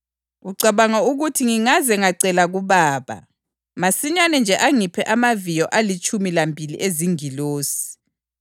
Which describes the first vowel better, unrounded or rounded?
rounded